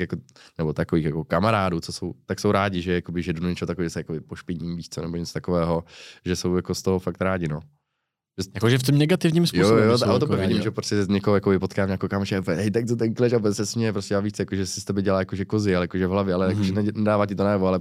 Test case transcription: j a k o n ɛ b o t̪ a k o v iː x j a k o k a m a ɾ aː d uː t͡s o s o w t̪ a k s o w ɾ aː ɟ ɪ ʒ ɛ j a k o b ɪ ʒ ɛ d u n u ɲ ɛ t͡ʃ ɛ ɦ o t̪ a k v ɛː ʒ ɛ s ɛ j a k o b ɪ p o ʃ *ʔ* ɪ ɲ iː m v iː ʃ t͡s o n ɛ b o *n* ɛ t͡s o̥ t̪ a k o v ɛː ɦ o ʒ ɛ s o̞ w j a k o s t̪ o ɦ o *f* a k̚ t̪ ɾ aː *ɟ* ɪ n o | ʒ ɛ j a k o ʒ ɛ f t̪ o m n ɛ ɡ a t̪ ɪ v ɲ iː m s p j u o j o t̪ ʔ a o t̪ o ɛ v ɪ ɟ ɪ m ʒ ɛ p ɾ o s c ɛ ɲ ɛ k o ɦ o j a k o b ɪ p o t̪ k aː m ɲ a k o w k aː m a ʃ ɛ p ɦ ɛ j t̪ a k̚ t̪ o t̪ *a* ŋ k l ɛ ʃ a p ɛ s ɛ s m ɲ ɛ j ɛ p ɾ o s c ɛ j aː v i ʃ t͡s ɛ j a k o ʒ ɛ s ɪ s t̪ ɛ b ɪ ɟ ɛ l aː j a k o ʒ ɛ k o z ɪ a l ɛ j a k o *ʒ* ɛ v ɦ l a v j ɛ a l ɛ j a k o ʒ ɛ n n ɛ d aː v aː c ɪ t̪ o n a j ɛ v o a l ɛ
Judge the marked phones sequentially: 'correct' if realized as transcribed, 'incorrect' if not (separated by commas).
incorrect, incorrect, correct, correct, incorrect, correct